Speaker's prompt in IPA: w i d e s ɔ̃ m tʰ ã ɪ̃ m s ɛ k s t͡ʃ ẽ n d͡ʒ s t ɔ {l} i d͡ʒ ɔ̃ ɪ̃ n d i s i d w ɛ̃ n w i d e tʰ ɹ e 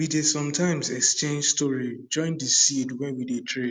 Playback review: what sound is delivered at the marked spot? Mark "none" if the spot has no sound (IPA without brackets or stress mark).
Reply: ɹ